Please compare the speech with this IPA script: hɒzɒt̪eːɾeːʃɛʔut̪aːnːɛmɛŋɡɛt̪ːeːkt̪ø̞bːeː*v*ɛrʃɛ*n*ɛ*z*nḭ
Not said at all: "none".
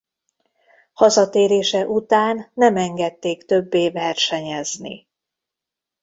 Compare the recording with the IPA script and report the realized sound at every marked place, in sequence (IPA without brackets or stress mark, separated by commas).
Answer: v, ɲ, z